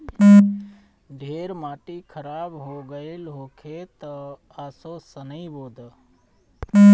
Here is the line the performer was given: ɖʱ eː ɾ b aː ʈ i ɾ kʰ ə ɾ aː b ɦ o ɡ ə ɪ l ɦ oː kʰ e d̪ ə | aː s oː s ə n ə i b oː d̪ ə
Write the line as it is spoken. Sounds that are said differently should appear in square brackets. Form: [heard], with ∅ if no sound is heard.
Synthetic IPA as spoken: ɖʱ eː ɾ [m] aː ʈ i [∅] kʰ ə ɾ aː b ɦ o ɡ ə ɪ l ɦ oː kʰ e [t̪] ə | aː s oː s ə n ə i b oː d̪ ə